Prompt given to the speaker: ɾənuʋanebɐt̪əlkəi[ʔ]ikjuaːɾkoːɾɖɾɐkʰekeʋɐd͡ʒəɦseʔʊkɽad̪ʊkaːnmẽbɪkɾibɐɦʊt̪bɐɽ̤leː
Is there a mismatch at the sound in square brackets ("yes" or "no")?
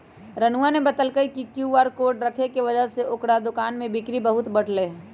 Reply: yes